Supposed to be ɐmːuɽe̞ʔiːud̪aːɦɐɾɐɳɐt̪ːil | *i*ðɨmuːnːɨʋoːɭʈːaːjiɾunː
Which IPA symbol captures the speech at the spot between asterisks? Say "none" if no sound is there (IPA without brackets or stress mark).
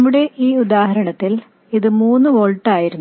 i